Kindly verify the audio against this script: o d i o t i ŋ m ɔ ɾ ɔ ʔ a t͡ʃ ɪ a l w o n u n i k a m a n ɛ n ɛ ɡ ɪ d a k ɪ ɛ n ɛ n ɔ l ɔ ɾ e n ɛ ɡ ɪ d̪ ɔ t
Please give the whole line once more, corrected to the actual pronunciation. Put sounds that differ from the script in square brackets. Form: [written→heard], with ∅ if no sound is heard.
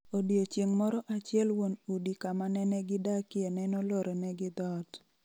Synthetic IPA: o d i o [t→t͡ʃ] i ŋ m ɔ ɾ ɔ ʔ a t͡ʃ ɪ [a→ɛ] l w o n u [n→d] i k a m a n ɛ n ɛ ɡ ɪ d a k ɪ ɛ n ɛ n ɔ l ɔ ɾ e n ɛ ɡ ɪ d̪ ɔ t